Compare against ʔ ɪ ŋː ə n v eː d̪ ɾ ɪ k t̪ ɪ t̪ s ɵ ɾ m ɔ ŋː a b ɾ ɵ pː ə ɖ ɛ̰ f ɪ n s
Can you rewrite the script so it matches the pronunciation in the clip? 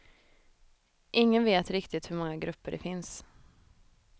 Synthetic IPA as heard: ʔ ɪ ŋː ə n v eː t̪ ɾ ɪ k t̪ ɪ t̪ h ɵ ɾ m ɔ ŋː a ɡ ɾ ɵ pː ə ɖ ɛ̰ f ɪ n s

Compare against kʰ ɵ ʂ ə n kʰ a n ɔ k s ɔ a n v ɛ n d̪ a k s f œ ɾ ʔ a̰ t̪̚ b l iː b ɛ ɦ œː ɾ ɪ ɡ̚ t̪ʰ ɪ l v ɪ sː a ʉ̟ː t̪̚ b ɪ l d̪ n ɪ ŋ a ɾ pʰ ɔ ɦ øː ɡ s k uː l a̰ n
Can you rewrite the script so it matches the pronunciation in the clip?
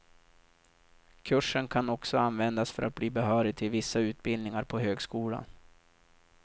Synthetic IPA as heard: kʰ ɵ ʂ ə n kʰ a n ɔ k s ɔ a n v ɛ n d̪ a s f œ ɾ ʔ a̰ t̪̚ b l iː b ɛ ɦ œː ɾ ɪ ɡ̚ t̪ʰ ɪ l v ɪ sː a ʉ̟ː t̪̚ b ɪ l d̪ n ɪ ŋ a ɾ pʰ ɔ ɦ øː ɡ s k uː l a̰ n

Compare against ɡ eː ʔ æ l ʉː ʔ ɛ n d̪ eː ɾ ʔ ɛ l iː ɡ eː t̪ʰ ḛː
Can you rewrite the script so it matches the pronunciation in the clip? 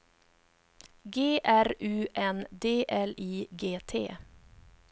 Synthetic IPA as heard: ɡ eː ʔ æ ɾ ʉː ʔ ɛ n d̪ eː ʔ ɛ l iː ɡ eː t̪ʰ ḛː

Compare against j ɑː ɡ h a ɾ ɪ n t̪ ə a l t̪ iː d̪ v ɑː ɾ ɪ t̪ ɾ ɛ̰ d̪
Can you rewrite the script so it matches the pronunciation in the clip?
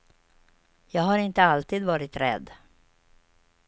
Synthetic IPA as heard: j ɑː ɡ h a ɾ ɪ n t̪ ə a l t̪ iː d̪ v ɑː ɾ ɪ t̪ ɾ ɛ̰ d̪

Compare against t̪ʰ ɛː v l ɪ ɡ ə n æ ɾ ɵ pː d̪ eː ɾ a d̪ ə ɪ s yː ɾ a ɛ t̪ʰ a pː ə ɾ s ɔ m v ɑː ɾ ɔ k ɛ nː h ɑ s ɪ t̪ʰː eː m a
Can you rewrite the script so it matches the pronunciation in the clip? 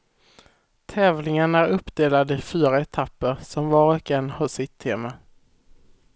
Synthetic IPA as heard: t̪ʰ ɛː v l ɪ ŋ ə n æ ɾ ɵ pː d̪ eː l a d̪ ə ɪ f yː ɾ a ɛ t̪ʰ a pː ə ɾ s ɔ m v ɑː ɾ ɔ k ɛ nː h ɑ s ɪ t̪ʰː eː m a

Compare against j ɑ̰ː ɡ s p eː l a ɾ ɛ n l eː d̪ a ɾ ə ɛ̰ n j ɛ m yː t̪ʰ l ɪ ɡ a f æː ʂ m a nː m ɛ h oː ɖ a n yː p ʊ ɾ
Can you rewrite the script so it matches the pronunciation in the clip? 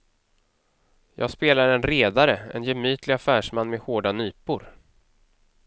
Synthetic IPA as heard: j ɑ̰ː ɡ s p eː l a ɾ ɛ n ɾ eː d̪ a ɾ ə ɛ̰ n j ɛ m yː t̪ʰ l ɪ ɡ a f æː ʂ m a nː m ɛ h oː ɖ a n yː p ʊ ɾ

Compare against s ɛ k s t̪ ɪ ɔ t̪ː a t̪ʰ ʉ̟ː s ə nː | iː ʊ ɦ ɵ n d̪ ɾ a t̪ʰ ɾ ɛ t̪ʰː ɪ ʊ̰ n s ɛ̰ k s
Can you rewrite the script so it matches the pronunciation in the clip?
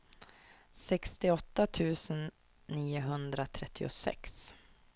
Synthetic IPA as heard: s ɛ k s t̪ ɪ ɔ t̪ː a t̪ʰ ʉ̟ː s ə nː | iː ʊ ɦ ɵ n d̪ ɾ a t̪ʰ ɾ ɛ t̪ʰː ɪ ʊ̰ s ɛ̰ k s

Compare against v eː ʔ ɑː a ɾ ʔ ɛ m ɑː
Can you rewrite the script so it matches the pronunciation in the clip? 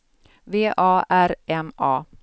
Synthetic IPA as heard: v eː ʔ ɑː æ ɾ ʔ ɛ m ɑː

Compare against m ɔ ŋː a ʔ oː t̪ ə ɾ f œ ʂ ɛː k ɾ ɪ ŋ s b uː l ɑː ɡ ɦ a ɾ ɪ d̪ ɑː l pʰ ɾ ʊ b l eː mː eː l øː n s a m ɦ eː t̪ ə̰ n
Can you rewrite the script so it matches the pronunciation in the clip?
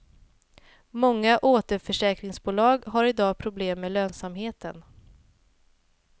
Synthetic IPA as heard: m ɔ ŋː a ʔ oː t̪ ə ɾ f œ ʂ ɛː k ɾ ɪ ŋ s b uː l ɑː ɡ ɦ a ɾ ɪ d̪ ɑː pʰ ɾ ʊ b l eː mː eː l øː n s a m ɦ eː t̪ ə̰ n

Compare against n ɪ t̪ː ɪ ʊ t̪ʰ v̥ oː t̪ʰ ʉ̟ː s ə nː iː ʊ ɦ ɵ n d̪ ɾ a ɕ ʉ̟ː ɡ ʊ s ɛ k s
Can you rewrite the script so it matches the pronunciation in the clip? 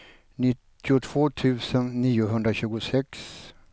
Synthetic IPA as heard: n ɪ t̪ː ɪ ʊ t̪ʰ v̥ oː t̪ʰ ʉ̟ː s ə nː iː ʊ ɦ ɵ n d̪ ɾ a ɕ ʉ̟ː ɡ ʊ s ɛ k s

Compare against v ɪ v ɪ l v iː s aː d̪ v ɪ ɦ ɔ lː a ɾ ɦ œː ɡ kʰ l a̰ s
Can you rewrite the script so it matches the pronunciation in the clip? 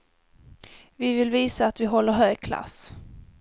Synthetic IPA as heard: v ɪ v ɪ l v iː s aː t̪ v ɪ ɦ ɔ lː ə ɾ ɦ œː ɡ kʰ l a̰ s

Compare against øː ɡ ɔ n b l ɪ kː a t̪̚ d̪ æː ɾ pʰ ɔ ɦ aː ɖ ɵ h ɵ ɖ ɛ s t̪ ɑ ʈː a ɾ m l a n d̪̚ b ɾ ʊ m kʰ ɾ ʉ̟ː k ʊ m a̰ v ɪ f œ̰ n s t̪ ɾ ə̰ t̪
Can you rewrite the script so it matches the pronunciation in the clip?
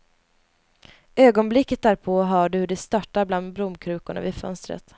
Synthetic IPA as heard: øː ɡ ɔ n b l ɪ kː ə t̪̚ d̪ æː ɾ pʰ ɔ ɦ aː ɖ ɵ h ɵ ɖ ɛ s t̪ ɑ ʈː a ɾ b l a n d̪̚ b ɾ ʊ m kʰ ɾ ʉ̟ː k ʊ ɳ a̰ v ɪ f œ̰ n s t̪ ɾ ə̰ t̪

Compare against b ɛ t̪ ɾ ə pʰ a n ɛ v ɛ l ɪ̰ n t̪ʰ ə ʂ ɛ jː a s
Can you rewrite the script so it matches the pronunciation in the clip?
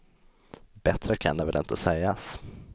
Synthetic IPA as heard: b ɛ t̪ ɾ ə kʰ a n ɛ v ɛ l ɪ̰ n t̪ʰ ə s ɛ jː a s

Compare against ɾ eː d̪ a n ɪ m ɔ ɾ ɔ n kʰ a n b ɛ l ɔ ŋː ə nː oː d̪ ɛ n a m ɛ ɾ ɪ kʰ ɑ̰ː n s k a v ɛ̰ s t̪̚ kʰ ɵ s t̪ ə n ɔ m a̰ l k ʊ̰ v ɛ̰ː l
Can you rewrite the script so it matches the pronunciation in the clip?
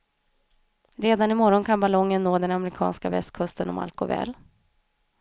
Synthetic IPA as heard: ɾ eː d̪ a n ɪ m ɔ ɾ ɔ n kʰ a n b a l ɔ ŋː ə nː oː d̪ ɛ n a m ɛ ɾ ɪ kʰ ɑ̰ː n s k a v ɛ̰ s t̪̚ kʰ ɵ s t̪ ə n ɔ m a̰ l k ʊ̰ v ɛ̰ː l

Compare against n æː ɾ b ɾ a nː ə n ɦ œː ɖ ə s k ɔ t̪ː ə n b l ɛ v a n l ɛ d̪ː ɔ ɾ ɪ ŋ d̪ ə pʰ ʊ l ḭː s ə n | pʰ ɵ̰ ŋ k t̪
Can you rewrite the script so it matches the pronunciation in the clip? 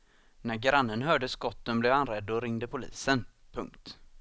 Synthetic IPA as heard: n æ ɾ ɡ ɾ a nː ə n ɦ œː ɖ ə s k ɔ t̪ː ə n b l ɛ v a n ɾ ɛ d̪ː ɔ ɾ ɪ ŋ d̪ ə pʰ ʊ l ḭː s ə n | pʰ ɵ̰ ŋ k t̪

